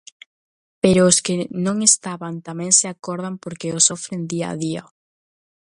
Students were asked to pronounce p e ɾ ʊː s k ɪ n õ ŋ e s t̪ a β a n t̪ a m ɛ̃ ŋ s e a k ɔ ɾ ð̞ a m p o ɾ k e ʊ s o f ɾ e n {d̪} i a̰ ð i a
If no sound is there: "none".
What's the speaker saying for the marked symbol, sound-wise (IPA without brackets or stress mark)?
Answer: d̪